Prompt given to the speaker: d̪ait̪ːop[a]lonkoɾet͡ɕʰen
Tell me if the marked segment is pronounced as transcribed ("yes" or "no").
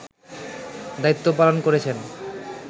yes